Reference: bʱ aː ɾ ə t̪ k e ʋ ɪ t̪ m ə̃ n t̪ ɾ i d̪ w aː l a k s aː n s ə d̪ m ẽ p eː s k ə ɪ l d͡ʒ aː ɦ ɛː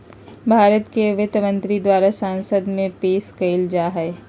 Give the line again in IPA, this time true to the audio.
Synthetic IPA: bʱ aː ɾ ə t̪ k e ʋ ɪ t̪ m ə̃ n t̪ ɾ i d̪ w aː ɾ a s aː n s ə d̪ m ẽ p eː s k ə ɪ l d͡ʒ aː ɦ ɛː